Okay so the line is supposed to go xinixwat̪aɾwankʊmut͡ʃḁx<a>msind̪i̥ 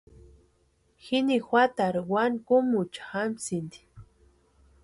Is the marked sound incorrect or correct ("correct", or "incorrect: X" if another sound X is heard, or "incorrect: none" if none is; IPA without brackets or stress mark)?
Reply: correct